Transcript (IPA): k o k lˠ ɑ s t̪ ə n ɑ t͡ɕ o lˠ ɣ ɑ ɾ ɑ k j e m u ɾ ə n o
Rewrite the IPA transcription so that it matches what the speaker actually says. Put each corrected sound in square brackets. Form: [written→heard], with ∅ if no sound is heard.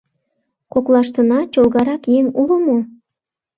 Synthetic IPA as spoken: k o k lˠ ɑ [s→ʃ] t̪ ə n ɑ t͡ɕ o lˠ ɣ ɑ ɾ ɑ k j e [m→ŋ] u [ɾ→l] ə [n→m] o